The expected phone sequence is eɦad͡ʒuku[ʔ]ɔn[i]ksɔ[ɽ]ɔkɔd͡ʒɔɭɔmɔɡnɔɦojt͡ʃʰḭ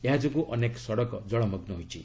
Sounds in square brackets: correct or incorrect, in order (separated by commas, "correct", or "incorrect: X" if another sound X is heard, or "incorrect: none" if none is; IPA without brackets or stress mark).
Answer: correct, incorrect: e, correct